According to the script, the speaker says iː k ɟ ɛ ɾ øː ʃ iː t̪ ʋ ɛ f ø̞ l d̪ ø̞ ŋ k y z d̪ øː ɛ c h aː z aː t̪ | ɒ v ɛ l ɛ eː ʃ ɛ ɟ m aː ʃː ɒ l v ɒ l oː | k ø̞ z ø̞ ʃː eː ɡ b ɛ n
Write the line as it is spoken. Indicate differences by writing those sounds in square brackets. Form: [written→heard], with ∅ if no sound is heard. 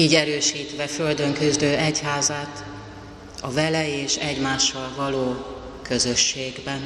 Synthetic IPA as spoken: iː [k→∅] ɟ ɛ ɾ øː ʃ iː t̪ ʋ ɛ f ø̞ l d̪ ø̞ ŋ k y z d̪ øː ɛ c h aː z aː t̪ | ɒ v ɛ l ɛ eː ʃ ɛ ɟ m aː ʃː ɒ l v ɒ l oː | k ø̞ z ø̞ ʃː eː ɡ b ɛ n